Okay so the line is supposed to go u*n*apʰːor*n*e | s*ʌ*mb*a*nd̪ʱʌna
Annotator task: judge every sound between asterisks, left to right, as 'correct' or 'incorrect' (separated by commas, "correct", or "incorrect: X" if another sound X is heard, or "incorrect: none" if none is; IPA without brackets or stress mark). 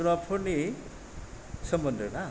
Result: correct, correct, correct, incorrect: ʌ